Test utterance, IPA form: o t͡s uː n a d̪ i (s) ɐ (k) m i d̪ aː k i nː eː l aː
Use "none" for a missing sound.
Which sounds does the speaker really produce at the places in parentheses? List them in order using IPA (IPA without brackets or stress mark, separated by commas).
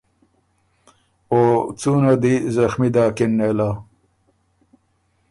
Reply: z, x